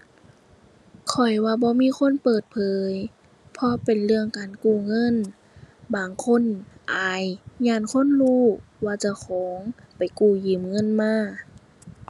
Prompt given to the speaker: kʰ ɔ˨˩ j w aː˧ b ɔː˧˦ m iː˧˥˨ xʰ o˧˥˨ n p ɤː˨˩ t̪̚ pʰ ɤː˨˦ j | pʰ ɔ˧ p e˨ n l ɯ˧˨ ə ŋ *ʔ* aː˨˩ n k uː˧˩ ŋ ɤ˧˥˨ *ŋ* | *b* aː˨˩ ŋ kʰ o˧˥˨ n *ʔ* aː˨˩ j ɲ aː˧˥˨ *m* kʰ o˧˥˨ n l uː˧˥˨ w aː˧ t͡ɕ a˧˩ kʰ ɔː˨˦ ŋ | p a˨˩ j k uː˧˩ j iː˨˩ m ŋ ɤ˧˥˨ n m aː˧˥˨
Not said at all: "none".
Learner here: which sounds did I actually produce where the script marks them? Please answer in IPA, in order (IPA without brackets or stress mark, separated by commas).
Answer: k, n, b, ʔ, n